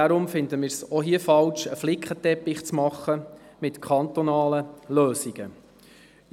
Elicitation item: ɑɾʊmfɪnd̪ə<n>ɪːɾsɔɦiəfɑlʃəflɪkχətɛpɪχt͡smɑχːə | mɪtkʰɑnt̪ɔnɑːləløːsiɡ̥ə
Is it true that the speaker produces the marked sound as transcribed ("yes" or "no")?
no